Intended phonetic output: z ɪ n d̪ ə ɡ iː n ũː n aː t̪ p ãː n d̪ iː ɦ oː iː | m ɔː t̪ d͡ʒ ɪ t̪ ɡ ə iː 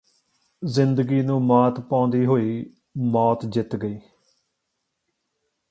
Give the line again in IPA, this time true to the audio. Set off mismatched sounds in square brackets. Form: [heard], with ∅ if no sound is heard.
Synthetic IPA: z ɪ n d̪ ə ɡ iː n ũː [m] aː t̪ p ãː n d̪ iː ɦ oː iː | m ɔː t̪ d͡ʒ ɪ t̪ ɡ ə iː